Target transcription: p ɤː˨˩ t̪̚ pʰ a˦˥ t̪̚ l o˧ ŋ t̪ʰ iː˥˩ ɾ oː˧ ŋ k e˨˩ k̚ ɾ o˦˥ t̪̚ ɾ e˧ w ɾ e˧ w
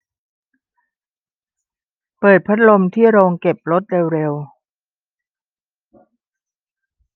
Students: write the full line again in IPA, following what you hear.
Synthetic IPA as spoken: p ɤː˨˩ t̪̚ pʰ a˦˥ t̪̚ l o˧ m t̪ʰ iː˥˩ ɾ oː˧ ŋ k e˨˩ p̚ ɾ o˦˥ t̪̚ ɾ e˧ w ɾ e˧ w